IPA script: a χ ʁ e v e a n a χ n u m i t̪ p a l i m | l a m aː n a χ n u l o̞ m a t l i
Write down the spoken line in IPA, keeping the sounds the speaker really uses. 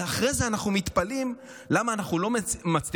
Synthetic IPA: a χ ʁ e z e a n a χ n u m i t̪ p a l i m | l a m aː n a χ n u l o̞ m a t͡s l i